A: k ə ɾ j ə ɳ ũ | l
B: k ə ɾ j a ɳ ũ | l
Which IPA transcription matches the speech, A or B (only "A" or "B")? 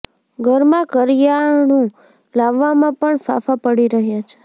B